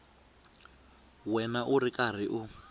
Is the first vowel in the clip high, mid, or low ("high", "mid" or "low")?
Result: mid